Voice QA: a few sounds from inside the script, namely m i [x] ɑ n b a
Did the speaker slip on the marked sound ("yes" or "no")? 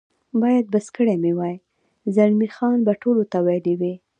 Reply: no